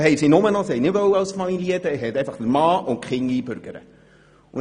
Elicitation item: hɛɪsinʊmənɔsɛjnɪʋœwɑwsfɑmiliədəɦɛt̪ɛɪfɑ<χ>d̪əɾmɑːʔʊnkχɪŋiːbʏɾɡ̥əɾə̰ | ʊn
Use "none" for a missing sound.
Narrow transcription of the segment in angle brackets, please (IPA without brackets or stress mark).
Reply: χ